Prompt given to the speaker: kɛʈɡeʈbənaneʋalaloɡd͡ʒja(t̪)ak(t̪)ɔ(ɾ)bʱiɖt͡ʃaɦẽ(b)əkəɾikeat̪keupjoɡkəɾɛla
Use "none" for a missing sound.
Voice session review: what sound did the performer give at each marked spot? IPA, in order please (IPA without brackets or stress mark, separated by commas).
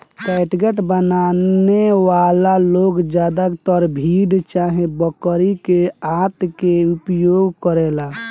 d̪, t̪, ɾ, b